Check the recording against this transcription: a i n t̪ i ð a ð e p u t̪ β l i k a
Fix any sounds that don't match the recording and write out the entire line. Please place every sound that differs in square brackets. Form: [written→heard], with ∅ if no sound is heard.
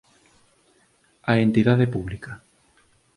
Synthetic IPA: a [i→e] n t̪ i ð a ð e p u [t̪→∅] β l i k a